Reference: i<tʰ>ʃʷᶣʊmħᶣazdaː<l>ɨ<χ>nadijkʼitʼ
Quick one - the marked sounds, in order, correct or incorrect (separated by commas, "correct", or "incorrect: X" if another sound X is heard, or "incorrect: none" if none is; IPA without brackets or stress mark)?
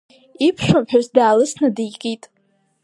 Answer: incorrect: pʰ, correct, incorrect: s